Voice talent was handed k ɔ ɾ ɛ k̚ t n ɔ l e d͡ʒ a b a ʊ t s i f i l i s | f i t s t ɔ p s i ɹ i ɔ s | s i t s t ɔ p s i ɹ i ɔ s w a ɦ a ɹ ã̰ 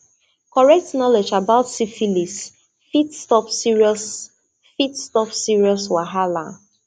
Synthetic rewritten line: k ɔ ɹ ɛ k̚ t n ɔ l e d͡ʒ a b a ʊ t s i f i l i s | f i t s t ɔ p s i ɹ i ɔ s | f i t s t ɔ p s i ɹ i ɔ s w a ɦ a l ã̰